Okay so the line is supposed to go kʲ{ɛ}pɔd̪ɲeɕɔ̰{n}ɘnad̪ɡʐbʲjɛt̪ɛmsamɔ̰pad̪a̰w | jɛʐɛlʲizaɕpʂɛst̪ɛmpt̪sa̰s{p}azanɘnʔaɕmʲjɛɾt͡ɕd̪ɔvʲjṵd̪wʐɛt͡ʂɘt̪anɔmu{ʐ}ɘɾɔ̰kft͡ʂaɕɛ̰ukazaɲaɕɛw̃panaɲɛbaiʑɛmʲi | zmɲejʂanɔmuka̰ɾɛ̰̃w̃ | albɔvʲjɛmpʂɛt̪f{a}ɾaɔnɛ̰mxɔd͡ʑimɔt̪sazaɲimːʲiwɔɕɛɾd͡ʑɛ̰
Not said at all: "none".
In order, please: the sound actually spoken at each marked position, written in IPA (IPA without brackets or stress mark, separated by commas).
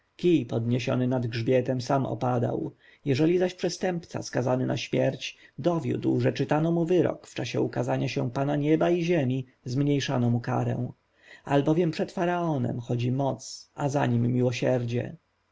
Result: i, n, k, v, a